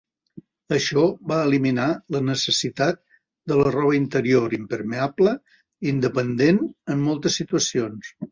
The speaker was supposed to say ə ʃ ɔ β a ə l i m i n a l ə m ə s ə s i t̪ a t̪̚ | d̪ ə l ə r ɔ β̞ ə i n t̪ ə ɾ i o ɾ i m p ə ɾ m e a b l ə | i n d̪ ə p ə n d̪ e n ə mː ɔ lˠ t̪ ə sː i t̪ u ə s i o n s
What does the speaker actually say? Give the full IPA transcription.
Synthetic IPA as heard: ə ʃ ɔ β a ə l i m i n a l ə n ə s ə s i t̪ a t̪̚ | d̪ ə l ə r ɔ β̞ ə i n t̪ ə ɾ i o ɾ i m p ə ɾ m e a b l ə | i n d̪ ə p ə n d̪ e n ə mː ɔ lˠ t̪ ə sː i t̪ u ə s i o n s